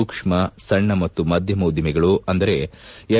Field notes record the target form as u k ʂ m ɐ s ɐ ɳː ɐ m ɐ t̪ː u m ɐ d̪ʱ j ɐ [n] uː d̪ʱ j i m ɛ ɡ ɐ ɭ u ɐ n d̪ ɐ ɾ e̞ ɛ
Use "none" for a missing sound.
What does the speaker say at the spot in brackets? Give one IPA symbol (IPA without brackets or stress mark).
m